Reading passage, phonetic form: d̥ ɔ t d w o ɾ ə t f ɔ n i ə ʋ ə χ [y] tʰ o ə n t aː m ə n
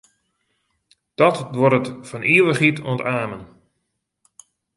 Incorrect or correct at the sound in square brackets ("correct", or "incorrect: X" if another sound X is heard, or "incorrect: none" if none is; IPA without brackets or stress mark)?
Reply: incorrect: i